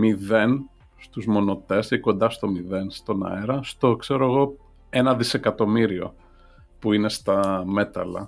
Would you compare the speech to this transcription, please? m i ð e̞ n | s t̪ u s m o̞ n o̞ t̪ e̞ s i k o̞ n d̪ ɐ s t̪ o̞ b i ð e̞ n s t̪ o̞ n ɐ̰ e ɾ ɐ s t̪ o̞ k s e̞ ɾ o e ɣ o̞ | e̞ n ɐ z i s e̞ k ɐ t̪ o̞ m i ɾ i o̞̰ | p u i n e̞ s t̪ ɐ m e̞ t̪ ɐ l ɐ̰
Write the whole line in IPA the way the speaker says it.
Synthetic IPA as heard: m i ð e̞ n | s t̪ u z m o̞ n o̞ t̪ e̞ s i k o̞ n d̪ ɐ s t̪ o̞ m i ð e̞ n s t̪ o̞ n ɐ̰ e ɾ ɐ s t̪ o̞ k s e̞ ɾ o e ɣ o̞ | e̞ n ɐ ð i s e̞ k ɐ t̪ o̞ m i ɾ i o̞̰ | p u i n e̞ s t̪ ɐ m e̞ t̪ ɐ l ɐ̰